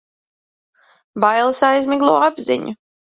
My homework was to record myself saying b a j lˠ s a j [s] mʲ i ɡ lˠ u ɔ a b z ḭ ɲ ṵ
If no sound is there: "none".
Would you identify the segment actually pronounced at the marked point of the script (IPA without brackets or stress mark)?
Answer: z